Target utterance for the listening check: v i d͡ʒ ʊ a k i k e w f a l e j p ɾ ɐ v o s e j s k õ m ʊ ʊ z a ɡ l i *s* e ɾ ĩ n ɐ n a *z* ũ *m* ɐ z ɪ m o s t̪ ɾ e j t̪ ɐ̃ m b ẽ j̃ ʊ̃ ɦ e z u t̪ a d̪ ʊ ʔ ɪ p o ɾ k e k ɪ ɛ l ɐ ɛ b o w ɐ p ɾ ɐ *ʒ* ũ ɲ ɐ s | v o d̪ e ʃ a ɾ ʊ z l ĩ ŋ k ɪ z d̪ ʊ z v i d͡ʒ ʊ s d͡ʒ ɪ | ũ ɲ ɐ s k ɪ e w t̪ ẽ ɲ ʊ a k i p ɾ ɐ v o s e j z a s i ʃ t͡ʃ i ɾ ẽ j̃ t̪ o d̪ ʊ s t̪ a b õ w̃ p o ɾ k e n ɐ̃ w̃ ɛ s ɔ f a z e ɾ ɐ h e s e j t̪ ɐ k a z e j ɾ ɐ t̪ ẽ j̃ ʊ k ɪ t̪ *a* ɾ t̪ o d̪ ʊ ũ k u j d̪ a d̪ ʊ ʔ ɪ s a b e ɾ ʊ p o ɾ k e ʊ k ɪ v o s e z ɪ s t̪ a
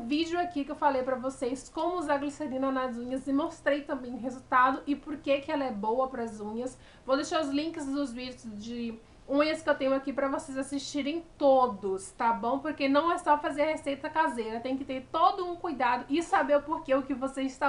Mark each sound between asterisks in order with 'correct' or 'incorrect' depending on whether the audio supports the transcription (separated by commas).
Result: correct, correct, incorrect, incorrect, incorrect